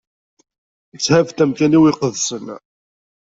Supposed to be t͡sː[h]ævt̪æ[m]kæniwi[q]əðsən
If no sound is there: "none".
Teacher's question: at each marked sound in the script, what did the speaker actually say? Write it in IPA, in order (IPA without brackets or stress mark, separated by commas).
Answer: h, m, q